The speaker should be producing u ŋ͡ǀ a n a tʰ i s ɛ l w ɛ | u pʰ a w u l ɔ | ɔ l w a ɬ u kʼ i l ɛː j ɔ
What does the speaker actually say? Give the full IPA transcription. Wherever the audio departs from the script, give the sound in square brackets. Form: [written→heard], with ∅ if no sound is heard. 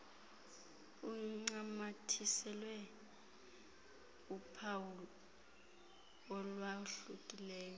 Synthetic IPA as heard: u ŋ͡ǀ a [n→m] a tʰ i s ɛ l w ɛ | u pʰ a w u l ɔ | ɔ l w a ɬ u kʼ i l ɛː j ɔ